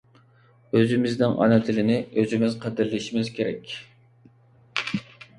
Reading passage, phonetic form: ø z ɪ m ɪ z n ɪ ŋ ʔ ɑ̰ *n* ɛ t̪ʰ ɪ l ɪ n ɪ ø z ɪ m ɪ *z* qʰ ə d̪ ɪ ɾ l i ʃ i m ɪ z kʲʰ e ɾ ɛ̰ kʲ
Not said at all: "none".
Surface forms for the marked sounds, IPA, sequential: n, z

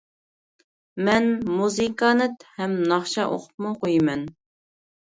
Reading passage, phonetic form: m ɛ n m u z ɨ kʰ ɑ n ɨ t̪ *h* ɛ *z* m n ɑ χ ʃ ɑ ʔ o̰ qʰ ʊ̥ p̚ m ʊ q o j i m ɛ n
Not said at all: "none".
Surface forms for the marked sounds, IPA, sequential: h, none

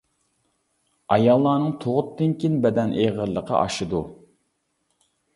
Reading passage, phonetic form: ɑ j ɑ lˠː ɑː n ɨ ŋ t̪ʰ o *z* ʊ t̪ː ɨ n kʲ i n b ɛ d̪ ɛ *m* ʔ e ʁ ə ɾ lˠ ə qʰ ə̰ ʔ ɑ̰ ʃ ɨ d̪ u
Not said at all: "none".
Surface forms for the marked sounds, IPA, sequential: ʁ, n

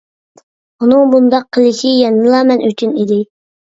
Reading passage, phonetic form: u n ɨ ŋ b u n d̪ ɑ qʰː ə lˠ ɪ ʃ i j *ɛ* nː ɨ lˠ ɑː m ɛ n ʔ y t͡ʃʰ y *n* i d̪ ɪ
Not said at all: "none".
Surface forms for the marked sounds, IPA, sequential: ɛ, n

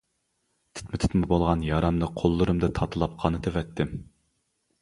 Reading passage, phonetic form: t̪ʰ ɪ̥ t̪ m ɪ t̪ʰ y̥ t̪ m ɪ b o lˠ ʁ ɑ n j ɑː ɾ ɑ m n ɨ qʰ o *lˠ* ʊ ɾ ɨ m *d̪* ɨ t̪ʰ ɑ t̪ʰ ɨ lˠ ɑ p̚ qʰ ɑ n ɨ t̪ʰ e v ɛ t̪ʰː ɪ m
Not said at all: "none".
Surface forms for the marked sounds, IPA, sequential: lˠː, d̪

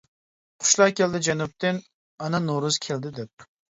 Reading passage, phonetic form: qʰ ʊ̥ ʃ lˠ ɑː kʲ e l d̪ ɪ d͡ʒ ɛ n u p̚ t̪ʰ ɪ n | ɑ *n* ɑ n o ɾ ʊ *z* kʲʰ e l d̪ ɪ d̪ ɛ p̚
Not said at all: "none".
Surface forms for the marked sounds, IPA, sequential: n, z

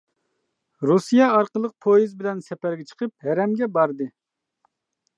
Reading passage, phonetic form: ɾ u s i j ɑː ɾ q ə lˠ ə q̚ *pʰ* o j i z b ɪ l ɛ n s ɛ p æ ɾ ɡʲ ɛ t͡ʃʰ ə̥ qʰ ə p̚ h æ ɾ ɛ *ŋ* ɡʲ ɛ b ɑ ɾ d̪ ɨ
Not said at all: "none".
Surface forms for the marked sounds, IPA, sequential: pʰ, m

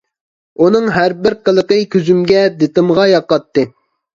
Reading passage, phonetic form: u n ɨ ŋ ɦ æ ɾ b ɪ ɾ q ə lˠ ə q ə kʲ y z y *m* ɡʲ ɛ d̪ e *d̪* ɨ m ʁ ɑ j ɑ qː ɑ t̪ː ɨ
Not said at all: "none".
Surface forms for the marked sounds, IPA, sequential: m, t̪

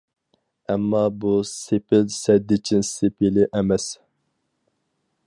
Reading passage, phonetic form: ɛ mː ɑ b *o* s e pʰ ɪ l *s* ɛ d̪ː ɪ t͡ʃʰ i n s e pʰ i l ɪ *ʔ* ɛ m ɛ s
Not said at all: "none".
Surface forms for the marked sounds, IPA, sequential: u, s, ʔ

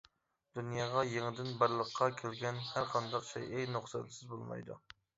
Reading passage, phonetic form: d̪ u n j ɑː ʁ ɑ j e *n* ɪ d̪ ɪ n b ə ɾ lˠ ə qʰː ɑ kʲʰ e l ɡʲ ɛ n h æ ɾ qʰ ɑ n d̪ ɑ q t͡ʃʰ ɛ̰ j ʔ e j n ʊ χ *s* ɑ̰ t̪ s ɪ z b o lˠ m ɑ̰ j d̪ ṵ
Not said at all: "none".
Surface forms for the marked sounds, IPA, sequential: ŋ, s

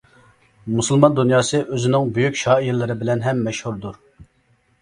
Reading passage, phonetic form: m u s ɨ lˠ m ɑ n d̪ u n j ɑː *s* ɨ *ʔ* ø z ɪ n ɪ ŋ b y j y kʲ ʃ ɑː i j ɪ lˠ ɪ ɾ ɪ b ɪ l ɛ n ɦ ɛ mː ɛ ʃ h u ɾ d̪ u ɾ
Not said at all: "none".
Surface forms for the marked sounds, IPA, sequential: s, ʔ

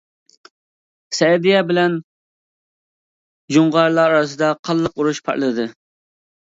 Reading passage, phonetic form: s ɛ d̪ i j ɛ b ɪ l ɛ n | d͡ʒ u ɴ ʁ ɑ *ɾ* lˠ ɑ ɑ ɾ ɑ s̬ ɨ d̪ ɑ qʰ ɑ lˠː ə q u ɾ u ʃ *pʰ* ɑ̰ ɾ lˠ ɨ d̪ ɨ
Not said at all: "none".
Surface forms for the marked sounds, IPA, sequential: ɾ, pʰ

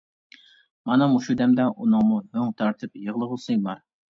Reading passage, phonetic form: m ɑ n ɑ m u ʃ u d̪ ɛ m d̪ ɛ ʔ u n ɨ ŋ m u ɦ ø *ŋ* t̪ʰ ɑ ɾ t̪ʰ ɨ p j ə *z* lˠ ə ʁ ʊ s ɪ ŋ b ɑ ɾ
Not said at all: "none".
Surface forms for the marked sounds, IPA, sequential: ŋ, ʁ

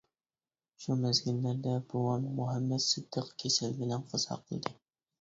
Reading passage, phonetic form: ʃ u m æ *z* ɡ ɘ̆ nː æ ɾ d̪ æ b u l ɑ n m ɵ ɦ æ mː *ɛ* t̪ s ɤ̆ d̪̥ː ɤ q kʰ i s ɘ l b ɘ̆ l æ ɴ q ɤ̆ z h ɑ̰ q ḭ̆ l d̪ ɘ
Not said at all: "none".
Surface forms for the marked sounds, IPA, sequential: z, æ

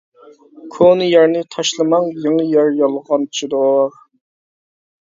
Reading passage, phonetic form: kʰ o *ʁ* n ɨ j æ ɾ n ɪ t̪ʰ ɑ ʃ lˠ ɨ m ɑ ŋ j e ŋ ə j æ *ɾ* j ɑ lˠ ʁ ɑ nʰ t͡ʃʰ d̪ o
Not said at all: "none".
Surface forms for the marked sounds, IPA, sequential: none, ɾ

